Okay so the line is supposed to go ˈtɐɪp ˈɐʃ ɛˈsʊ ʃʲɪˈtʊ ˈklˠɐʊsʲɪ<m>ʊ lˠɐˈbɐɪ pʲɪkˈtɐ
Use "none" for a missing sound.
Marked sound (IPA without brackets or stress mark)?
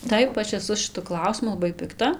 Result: m